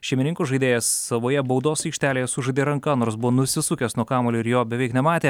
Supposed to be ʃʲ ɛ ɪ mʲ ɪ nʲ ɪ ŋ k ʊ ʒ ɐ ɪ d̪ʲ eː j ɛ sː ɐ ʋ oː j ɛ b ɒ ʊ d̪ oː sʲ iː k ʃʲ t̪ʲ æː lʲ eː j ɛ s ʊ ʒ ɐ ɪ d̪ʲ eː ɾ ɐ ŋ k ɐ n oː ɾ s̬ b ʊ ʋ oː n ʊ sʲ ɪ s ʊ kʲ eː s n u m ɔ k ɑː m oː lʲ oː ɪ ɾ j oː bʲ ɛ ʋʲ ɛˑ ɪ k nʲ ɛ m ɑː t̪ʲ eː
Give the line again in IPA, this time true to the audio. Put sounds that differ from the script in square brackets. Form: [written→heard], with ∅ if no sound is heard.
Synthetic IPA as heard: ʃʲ ɛ ɪ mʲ ɪ nʲ ɪ ŋ k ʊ ʒ ɐ ɪ d̪ʲ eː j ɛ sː ɐ ʋ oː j ɛ b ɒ ʊ d̪ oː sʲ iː k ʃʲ t̪ʲ æː lʲ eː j ɛ s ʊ ʒ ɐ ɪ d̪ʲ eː ɾ ɐ ŋ k ɐ n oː ɾ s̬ b ʊ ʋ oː n ʊ sʲ ɪ s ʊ kʲ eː s n u [m→∅] ɔ k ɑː m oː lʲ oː ɪ ɾ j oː bʲ ɛ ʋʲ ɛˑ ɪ k nʲ ɛ m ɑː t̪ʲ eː